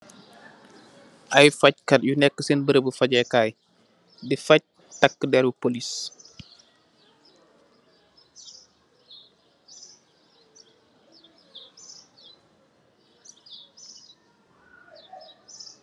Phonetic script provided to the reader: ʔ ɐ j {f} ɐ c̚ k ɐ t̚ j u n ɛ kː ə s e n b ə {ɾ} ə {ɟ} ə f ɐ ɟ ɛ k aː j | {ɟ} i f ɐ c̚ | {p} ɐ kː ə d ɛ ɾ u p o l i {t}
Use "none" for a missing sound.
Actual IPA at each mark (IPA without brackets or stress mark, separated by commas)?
f, ɾ, b, d, t, s